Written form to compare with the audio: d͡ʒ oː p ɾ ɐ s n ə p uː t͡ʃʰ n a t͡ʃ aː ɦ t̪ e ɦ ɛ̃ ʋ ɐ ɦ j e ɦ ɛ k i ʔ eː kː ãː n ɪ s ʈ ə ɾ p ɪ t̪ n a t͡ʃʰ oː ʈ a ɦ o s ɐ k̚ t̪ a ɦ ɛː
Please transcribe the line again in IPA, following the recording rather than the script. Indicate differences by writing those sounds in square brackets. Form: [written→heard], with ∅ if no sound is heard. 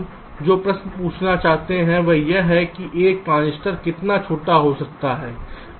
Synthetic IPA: d͡ʒ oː p ɾ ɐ s n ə p uː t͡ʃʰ n a t͡ʃ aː ɦ t̪ e ɦ ɛ̃ ʋ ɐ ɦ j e ɦ ɛ k i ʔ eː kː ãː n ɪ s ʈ ə ɾ [p→k] ɪ t̪ n a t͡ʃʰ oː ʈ a ɦ o s ɐ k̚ t̪ a ɦ ɛː